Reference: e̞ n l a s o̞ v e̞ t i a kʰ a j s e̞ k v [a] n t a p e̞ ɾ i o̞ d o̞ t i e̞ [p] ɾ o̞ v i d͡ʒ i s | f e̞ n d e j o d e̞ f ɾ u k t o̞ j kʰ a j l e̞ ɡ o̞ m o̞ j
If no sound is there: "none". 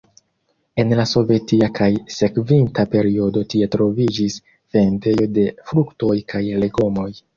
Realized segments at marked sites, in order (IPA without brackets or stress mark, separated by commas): i, t